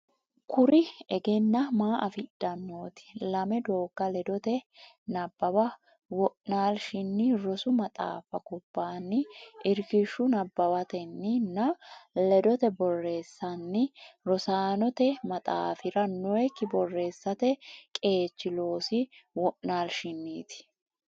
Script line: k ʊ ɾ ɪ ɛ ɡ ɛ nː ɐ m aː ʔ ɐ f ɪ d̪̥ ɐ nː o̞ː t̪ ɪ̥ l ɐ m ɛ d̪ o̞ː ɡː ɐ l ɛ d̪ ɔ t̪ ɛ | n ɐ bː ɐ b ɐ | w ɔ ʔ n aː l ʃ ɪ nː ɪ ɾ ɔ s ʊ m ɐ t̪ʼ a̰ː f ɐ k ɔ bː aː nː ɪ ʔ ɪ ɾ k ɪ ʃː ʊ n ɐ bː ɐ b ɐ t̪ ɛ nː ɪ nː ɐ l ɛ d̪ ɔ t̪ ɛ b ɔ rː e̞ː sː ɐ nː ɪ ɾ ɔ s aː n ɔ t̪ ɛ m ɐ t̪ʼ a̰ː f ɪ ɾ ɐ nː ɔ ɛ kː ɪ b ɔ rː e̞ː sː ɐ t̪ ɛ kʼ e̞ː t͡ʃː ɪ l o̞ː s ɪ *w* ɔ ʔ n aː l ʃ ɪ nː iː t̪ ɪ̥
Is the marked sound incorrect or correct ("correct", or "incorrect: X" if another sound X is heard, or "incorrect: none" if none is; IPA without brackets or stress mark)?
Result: correct